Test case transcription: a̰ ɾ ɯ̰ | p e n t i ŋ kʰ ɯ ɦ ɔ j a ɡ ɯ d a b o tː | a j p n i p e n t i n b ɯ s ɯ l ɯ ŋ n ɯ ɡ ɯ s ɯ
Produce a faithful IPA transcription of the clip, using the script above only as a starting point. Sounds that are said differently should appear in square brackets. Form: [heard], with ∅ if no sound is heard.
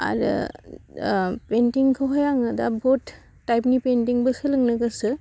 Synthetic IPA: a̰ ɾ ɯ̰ | p e n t i ŋ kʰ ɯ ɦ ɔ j a [ŋ] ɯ d a b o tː | a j p n i p e n t i [ŋ] b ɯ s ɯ l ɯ ŋ n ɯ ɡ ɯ s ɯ